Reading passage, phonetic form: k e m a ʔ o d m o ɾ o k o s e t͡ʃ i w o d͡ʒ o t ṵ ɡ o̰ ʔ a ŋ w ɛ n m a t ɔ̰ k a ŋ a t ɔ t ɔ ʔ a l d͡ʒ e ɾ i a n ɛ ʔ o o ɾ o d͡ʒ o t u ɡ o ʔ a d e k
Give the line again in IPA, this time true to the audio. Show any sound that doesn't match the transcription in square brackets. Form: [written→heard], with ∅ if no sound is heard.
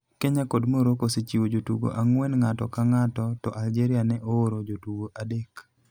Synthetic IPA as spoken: k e [m→ɲ] a [ʔ→k] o d m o ɾ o k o s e t͡ʃ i w o d͡ʒ o t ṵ ɡ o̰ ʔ a ŋ w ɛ n [m→ŋ] a t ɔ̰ k a ŋ a t ɔ t ɔ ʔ a l d͡ʒ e ɾ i a n ɛ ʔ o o ɾ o d͡ʒ o t u ɡ o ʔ a d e k